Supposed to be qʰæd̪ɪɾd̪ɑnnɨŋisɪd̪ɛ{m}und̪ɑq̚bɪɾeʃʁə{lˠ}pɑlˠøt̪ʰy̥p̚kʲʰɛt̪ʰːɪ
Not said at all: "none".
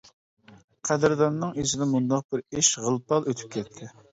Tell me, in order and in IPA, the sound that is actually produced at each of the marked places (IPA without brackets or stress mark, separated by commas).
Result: m, lˠ